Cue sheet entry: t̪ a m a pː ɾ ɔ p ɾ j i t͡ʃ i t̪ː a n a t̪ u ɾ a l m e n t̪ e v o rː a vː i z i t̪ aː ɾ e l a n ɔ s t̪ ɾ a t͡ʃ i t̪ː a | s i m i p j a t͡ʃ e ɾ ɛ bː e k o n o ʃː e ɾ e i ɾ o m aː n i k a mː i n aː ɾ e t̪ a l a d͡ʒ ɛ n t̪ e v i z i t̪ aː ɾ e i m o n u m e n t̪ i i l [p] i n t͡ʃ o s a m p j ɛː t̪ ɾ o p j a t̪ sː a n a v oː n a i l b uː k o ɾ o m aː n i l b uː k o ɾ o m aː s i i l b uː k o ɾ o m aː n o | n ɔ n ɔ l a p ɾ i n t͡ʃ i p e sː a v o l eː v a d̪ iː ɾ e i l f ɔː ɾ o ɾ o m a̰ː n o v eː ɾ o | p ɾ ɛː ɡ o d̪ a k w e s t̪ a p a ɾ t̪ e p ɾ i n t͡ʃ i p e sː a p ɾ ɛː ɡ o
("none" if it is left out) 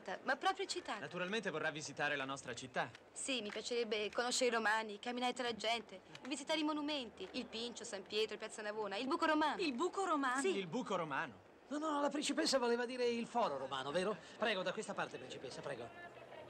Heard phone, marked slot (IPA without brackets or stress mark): p